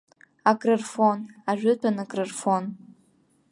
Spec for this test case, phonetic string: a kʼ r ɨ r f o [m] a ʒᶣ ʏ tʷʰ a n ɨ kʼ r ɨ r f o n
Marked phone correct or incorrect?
incorrect